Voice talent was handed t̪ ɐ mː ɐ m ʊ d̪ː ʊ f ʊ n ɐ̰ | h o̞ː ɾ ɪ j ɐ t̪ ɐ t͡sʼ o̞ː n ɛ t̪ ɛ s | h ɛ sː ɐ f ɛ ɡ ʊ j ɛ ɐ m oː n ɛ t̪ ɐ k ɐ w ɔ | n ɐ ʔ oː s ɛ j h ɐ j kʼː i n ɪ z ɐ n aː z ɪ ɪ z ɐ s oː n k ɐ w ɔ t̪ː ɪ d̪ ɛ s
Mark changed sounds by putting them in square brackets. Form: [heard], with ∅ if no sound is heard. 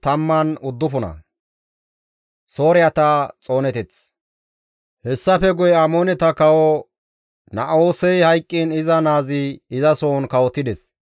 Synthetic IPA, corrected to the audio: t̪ ɐ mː ɐ [n] ʊ d̪ː ʊ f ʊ n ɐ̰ | [s] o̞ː ɾ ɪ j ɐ t̪ ɐ t͡sʼ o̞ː n ɛ t̪ ɛ [t͡s] | h ɛ sː ɐ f ɛ ɡ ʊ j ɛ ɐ m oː n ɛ t̪ ɐ k ɐ w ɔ | n ɐ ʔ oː s ɛ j h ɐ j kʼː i n ɪ z ɐ n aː z ɪ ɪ z ɐ s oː n k ɐ w ɔ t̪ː ɪ d̪ ɛ s